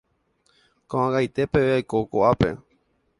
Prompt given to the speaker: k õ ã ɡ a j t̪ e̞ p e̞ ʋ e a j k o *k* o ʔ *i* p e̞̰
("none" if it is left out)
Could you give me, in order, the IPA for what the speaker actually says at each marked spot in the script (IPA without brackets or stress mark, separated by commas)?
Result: k, a